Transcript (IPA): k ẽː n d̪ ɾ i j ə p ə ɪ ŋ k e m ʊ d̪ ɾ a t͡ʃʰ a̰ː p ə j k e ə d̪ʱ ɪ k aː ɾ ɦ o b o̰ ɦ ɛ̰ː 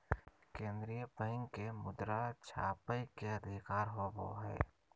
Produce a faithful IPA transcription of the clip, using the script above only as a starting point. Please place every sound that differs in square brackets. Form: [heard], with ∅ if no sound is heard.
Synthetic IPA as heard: k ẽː n d̪ ɾ i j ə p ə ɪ ŋ k e m ʊ d̪ ɾ a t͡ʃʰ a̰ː p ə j k e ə d̪ʱ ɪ k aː ɾ ɦ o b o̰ ɦ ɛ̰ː